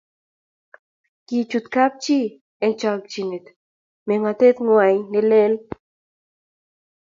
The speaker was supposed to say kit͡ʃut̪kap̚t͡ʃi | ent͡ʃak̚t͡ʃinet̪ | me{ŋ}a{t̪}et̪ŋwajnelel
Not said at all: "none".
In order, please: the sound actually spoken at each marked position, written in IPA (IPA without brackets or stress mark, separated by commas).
ŋ, t̪